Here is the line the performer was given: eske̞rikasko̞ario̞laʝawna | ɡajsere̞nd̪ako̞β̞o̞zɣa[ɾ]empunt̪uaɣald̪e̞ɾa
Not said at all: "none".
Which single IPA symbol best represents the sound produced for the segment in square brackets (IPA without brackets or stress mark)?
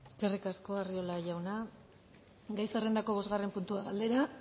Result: r